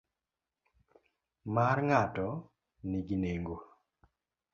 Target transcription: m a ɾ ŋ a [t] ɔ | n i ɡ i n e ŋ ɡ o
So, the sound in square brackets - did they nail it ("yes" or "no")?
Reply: yes